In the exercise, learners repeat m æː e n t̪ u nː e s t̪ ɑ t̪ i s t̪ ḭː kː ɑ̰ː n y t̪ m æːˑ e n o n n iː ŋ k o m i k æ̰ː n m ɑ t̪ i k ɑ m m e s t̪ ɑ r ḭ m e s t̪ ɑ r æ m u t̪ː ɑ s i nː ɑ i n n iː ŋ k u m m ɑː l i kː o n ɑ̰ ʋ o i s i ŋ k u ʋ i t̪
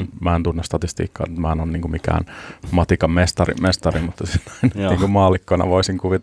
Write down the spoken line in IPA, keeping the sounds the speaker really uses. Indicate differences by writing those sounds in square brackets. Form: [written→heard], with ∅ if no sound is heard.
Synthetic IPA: m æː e n t̪ u nː e s t̪ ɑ t̪ i s t̪ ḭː kː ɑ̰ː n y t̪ m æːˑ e n o n n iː ŋ k [o→u] m i k æ̰ː n m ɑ t̪ i k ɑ m m e s t̪ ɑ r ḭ m e s t̪ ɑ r [æ→i] m u t̪ː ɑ s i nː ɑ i n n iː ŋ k u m m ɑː l i kː o n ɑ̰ ʋ o i s i ŋ k u ʋ i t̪